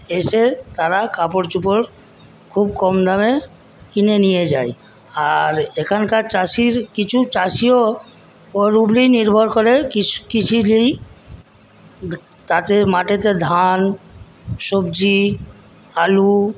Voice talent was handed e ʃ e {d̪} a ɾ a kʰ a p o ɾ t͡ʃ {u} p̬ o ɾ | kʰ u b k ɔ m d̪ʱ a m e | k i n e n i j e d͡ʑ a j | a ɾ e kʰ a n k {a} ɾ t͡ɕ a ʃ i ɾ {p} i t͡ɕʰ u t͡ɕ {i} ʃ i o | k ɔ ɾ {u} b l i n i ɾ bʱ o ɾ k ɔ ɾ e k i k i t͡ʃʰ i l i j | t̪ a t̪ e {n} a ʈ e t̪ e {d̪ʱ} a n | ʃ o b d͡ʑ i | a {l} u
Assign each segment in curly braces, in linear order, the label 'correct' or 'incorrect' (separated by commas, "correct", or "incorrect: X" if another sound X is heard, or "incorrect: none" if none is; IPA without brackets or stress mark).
incorrect: t̪, correct, correct, incorrect: k, incorrect: a, correct, incorrect: m, correct, correct